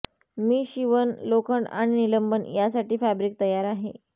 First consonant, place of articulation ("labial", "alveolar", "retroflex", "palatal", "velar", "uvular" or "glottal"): labial